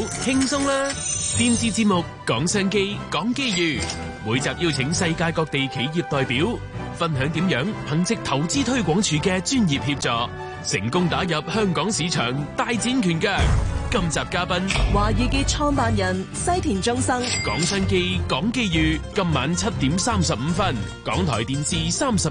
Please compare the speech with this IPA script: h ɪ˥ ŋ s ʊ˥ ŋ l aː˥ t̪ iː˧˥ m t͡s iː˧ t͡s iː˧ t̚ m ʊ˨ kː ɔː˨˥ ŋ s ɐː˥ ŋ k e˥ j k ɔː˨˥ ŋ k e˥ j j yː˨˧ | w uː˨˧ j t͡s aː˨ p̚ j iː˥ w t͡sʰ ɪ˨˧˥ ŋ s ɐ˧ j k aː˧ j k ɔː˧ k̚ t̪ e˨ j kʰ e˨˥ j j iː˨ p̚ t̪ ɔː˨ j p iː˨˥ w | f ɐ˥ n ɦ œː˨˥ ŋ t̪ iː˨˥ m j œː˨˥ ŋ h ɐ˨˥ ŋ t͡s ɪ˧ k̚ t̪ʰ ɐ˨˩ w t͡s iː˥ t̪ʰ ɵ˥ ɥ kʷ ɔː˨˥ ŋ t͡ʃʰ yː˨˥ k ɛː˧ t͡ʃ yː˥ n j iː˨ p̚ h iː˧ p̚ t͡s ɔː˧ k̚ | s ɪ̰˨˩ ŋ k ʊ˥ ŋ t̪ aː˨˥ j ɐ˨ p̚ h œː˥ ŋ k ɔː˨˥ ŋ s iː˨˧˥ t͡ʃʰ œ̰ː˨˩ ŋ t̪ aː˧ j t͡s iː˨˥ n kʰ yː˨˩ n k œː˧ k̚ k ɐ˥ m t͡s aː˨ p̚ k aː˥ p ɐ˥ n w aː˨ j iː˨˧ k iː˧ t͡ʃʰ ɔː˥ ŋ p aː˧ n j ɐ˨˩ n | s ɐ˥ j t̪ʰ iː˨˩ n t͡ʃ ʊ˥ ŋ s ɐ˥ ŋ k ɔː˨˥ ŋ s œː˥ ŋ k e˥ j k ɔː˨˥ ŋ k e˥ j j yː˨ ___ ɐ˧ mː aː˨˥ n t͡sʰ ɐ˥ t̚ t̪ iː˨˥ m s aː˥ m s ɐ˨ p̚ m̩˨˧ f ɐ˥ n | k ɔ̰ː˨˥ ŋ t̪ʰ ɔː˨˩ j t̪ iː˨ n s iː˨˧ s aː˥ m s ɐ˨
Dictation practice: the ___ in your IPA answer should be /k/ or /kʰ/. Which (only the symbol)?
k